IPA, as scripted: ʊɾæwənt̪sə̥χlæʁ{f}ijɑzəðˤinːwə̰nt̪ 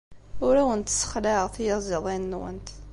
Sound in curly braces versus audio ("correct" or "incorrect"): incorrect